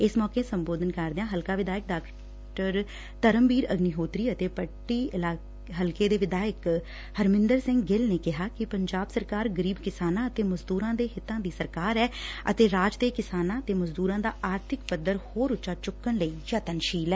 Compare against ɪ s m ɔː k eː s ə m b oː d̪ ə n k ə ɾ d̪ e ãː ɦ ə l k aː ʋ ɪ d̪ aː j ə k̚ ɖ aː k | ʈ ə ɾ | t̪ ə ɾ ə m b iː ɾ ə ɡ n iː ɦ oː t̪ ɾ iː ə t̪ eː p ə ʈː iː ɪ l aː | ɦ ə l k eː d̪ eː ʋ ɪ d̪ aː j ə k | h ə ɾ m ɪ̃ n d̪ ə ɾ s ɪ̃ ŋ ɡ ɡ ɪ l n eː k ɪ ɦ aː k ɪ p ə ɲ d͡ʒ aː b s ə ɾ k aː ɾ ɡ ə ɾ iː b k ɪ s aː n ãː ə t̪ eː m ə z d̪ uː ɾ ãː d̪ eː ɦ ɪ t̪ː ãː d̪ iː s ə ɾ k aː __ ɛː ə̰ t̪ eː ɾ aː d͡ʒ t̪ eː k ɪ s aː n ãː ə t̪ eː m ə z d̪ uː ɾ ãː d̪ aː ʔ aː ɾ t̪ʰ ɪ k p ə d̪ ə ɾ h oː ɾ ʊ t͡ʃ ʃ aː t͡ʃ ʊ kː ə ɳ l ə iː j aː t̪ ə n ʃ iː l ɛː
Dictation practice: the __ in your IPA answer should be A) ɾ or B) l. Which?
A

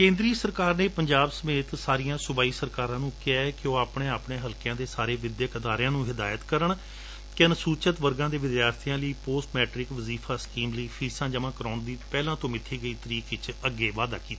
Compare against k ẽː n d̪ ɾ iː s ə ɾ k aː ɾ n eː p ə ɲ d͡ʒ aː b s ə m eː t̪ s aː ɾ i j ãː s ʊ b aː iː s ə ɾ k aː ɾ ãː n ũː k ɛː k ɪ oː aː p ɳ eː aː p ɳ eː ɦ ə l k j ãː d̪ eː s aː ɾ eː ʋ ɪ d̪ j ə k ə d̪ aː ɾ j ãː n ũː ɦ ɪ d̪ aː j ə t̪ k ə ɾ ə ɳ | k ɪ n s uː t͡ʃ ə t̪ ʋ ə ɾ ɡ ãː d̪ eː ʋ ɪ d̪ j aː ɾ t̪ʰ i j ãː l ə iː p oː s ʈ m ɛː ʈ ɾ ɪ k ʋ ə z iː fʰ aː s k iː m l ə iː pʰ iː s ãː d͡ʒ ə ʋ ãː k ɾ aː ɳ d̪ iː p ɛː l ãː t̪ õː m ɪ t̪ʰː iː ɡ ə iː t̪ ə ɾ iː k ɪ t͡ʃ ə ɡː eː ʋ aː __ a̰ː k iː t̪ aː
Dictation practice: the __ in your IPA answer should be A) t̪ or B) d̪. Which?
B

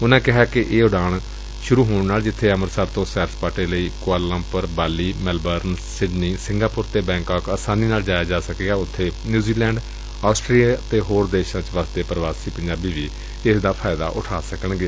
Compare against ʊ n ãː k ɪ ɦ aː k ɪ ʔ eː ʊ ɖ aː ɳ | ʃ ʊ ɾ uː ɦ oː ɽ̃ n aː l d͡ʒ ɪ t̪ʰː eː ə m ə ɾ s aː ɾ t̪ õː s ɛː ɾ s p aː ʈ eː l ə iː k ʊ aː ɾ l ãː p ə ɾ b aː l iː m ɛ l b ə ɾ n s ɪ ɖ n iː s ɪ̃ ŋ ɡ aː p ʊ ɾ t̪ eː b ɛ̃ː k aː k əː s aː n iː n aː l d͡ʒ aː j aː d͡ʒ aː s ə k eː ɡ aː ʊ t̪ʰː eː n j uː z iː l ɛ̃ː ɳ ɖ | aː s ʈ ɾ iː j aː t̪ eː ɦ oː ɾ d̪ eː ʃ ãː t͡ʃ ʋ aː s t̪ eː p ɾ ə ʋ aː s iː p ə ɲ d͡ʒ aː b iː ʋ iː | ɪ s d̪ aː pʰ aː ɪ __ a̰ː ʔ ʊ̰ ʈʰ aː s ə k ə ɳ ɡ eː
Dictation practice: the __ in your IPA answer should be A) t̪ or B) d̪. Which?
B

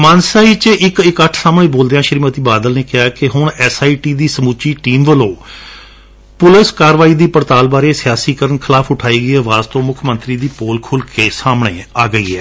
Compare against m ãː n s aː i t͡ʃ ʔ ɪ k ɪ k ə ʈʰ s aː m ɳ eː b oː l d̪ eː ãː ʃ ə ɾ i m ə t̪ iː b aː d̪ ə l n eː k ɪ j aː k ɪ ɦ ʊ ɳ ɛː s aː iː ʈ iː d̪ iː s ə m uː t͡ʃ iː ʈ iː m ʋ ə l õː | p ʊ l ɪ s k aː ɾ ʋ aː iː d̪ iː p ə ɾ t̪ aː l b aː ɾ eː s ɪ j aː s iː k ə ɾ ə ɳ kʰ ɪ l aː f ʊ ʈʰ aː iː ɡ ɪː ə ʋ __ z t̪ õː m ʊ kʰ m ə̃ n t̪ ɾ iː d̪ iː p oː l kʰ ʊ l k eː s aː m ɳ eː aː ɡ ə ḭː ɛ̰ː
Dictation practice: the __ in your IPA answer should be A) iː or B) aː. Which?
B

